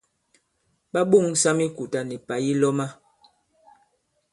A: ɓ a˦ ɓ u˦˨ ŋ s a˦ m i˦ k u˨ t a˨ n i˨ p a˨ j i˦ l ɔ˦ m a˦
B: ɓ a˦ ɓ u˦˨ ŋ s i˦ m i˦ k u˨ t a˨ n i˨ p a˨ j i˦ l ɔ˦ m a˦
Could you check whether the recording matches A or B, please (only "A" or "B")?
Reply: A